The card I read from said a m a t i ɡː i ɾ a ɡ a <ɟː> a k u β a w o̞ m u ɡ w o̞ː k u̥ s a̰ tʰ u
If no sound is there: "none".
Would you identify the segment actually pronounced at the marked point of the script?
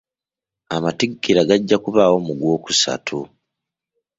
ɟː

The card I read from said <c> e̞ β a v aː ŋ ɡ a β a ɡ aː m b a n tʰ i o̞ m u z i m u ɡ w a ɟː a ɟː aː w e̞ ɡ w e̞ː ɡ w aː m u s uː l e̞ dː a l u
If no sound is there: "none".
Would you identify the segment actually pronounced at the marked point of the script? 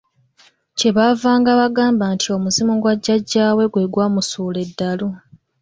c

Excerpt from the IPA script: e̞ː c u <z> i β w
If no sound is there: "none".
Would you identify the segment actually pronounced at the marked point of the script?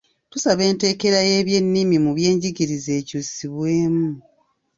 s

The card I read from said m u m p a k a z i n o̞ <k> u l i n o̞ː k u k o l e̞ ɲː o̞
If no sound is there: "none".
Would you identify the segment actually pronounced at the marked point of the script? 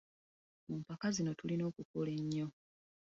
t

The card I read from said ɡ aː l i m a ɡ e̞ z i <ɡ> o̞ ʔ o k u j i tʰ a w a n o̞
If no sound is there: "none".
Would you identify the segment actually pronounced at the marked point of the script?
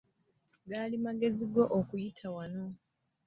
ɡ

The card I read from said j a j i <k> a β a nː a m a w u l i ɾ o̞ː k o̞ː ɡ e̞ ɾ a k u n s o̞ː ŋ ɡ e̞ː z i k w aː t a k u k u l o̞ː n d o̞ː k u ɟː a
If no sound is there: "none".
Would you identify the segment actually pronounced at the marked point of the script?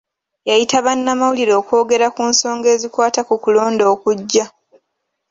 t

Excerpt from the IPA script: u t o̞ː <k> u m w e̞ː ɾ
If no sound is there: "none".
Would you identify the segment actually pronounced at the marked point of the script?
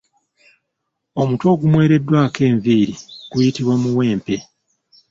ɡ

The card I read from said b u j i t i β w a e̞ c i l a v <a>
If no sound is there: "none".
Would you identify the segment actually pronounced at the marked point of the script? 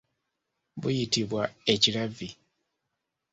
i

